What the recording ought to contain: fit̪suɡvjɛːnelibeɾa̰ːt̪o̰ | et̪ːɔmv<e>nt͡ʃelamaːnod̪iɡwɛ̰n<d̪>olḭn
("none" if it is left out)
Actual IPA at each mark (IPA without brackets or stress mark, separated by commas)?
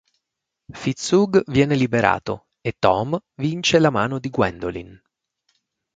i, d̪